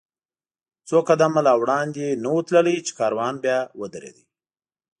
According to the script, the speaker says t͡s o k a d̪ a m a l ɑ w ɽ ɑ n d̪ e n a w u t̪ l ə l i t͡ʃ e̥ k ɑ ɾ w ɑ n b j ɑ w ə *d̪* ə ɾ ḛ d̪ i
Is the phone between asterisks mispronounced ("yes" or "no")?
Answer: no